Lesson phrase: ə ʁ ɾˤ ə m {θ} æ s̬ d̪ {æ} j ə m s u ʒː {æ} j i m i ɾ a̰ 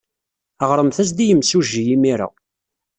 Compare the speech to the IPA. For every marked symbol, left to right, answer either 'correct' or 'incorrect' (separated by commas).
correct, incorrect, incorrect